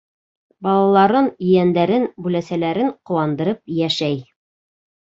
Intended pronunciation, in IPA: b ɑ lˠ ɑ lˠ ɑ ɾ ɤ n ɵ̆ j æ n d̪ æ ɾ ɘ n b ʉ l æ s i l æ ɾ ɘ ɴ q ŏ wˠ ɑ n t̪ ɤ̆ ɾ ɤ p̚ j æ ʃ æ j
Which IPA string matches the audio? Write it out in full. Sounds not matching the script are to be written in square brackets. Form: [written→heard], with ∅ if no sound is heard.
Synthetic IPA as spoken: b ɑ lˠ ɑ lˠ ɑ ɾ ɤ n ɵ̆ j æ n d̪ æ ɾ ɘ n b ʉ l æ s [i→æ] l æ ɾ ɘ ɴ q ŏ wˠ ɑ n [t̪→d̪] ɤ̆ ɾ ɤ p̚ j æ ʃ æ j